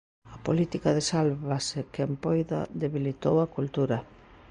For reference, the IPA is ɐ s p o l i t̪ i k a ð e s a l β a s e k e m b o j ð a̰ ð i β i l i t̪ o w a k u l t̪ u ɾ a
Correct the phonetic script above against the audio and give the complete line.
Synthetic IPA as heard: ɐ p o l i t̪ i k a ð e s a l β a s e k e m p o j ð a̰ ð e β i l i t̪ o w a k u l t̪ u ɾ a